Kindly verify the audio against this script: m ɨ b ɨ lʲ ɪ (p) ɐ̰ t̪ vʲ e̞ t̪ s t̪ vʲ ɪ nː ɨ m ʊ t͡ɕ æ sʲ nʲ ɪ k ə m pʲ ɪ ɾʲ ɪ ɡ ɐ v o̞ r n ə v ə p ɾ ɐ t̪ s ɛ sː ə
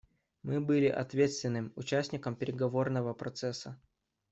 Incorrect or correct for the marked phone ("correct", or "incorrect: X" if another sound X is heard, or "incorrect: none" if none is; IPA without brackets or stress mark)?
incorrect: ʔ